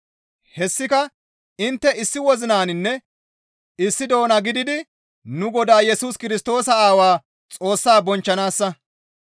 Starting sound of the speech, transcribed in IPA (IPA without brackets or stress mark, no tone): h